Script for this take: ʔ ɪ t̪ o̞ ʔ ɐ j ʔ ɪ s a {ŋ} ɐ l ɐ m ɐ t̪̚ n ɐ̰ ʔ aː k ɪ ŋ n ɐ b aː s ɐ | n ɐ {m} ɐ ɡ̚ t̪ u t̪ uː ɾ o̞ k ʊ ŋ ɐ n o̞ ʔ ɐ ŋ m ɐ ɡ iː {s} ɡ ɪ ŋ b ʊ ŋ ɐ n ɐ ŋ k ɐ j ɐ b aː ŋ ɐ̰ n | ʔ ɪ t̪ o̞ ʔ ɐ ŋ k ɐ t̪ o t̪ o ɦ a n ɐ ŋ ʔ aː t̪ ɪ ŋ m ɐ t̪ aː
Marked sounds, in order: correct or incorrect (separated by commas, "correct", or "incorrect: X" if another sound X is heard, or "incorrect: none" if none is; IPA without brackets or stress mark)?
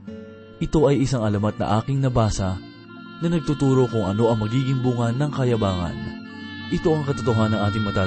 correct, incorrect: n, incorrect: none